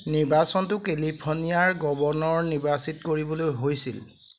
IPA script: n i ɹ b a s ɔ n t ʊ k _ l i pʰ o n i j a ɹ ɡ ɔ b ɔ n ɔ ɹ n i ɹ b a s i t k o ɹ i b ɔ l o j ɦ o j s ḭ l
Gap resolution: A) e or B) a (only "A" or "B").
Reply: A